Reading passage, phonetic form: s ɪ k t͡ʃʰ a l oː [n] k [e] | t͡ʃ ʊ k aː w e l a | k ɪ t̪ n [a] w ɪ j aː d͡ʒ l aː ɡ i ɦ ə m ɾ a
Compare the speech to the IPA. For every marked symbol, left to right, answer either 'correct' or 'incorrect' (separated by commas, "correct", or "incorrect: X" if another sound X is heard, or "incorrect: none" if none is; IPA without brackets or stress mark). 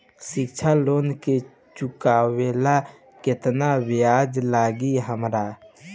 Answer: correct, correct, correct